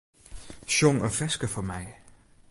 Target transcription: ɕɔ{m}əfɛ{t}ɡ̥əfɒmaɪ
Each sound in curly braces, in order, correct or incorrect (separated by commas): incorrect, incorrect